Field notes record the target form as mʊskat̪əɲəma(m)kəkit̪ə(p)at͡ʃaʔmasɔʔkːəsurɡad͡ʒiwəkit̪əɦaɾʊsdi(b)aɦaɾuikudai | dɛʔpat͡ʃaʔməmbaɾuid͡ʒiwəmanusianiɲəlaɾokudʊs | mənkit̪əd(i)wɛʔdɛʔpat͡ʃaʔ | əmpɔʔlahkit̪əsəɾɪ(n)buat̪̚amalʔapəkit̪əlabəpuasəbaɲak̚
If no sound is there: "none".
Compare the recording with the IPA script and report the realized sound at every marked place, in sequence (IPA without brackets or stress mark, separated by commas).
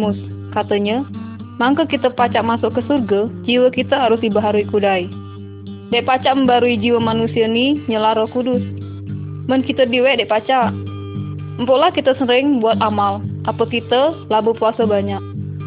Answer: ŋ, p, b, i, ŋ